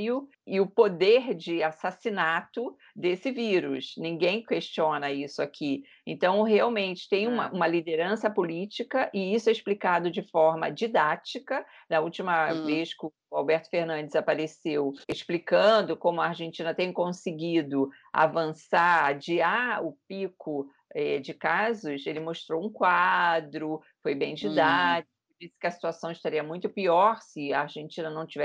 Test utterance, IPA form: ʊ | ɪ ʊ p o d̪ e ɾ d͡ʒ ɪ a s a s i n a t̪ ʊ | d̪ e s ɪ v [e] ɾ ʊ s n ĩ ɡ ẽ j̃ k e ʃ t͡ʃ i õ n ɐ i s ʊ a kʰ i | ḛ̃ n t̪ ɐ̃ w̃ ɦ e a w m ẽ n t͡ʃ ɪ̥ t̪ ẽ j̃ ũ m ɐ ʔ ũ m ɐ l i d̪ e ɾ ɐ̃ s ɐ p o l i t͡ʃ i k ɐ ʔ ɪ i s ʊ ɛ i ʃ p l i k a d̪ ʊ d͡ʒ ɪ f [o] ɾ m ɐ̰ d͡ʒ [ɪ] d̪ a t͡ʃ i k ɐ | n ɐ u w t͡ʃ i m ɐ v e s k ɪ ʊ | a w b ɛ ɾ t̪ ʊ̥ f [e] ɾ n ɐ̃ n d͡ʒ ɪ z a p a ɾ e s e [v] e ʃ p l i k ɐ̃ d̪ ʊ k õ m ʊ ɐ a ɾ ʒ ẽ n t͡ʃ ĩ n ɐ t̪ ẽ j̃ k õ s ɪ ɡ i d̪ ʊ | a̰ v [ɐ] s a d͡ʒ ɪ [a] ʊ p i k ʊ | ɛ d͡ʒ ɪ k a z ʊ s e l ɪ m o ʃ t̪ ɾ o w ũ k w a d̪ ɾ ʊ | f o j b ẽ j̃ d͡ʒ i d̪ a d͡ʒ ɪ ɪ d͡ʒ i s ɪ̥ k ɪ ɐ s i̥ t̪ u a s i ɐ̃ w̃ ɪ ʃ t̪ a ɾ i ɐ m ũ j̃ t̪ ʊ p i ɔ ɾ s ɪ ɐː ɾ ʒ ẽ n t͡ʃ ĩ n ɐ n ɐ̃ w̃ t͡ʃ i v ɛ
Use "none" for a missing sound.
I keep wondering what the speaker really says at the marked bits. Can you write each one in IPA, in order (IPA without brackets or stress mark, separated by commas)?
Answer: i, ɔ, i, e, w, ɐ̃, a